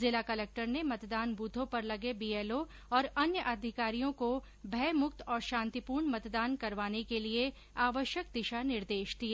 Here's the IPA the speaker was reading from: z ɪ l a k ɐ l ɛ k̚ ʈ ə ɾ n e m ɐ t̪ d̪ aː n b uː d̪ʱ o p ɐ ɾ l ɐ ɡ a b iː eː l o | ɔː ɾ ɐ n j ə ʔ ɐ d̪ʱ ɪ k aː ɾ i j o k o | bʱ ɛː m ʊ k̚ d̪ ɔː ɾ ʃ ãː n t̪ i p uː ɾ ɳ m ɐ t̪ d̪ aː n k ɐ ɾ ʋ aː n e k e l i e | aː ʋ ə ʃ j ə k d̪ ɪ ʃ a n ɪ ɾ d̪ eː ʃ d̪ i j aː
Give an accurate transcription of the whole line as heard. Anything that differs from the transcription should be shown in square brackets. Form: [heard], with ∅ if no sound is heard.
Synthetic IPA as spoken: z ɪ l a k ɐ l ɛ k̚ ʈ ə ɾ n e m ɐ t̪ d̪ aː n b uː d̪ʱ [õ] p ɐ ɾ l ɐ ɡ [e] b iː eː l o | ɔː ɾ ɐ n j ə ʔ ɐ d̪ʱ ɪ k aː ɾ i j [õ] k o | bʱ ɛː m ʊ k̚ [t̪] ɔː ɾ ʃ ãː n t̪ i p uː ɾ ɳ m ɐ t̪ d̪ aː n k ɐ ɾ ʋ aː n e k e l i e | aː ʋ ə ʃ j ə k d̪ ɪ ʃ a n ɪ ɾ d̪ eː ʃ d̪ i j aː